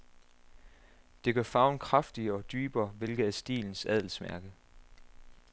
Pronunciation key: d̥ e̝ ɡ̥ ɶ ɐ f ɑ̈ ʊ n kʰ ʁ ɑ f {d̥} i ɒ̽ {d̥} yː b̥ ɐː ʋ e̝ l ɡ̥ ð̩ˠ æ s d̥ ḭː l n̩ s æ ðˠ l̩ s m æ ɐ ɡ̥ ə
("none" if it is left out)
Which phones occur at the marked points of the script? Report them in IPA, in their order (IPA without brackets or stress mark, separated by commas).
d̥, d̥